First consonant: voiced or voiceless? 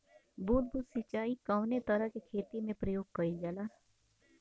voiced